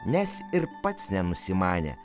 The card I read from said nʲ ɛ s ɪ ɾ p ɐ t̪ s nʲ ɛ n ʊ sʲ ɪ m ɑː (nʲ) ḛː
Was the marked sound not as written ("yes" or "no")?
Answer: no